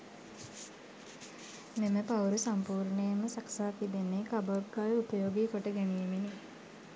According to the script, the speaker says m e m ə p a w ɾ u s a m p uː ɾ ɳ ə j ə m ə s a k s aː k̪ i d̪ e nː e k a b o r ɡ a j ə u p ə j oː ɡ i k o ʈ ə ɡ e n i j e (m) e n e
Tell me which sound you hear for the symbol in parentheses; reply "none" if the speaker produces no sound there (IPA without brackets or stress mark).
m